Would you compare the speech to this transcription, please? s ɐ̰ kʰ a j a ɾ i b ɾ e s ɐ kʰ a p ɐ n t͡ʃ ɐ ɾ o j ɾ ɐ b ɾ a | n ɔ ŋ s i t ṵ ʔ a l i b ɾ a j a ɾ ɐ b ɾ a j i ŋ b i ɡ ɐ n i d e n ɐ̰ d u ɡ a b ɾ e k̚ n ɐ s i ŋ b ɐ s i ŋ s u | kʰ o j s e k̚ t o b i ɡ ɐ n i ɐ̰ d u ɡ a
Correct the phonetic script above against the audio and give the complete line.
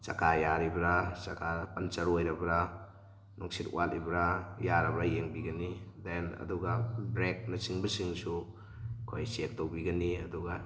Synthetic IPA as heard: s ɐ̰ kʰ a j a ɾ i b ɾ a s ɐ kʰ a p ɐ n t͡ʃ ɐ ɾ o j ɾ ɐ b ɾ a | n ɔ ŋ s i t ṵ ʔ a l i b ɾ a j a ɾ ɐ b ɾ a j e ŋ b i ɡ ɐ n i d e n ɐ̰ d u ɡ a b ɾ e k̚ n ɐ s i ŋ b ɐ s i ŋ s u | kʰ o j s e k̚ t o b i ɡ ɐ n i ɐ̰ d u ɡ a